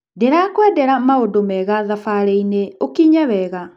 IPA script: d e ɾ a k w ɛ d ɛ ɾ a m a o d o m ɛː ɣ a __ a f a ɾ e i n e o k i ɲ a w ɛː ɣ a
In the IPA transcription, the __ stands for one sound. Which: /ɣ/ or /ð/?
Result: ð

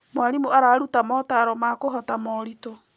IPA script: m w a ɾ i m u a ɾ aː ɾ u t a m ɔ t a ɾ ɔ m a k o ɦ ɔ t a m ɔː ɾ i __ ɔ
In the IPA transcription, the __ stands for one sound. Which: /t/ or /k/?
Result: t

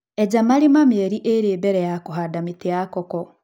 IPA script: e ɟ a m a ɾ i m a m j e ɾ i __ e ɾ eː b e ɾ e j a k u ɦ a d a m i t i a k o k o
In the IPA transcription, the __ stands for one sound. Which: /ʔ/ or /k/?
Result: ʔ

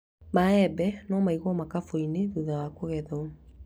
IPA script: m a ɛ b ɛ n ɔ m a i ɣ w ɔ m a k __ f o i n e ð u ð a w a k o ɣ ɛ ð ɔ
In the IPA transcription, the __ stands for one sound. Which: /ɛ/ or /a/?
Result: a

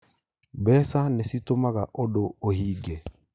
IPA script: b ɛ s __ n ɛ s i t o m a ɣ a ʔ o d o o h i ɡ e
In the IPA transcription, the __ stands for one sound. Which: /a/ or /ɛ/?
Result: a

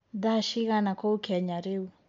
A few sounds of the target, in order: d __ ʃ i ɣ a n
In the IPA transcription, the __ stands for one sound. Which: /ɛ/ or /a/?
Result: a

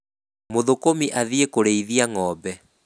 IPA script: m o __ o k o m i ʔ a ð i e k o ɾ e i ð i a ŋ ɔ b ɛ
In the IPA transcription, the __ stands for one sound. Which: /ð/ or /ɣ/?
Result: ð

